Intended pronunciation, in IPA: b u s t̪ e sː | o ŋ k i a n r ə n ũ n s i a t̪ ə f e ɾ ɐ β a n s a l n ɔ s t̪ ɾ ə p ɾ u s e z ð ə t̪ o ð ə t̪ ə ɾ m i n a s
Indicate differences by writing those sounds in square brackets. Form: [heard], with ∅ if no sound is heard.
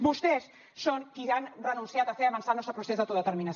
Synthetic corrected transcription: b u s t̪ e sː | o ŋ k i a n r ə n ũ n s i a t̪ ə f e ɾ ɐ β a n s a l n ɔ s t̪ ɾ ə p ɾ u s e z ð ə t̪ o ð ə t̪ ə ɾ m i n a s